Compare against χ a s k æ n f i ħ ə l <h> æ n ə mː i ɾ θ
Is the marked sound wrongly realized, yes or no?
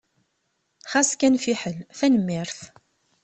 yes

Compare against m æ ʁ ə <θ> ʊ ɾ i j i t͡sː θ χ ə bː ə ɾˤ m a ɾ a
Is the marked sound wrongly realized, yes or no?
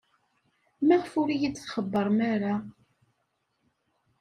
yes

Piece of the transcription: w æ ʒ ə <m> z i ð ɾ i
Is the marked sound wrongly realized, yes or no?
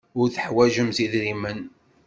no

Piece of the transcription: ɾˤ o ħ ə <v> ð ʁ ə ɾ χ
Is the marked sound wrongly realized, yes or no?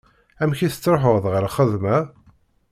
yes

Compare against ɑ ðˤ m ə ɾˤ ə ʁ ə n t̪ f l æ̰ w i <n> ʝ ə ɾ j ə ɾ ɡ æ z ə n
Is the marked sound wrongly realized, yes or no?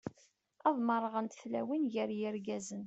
no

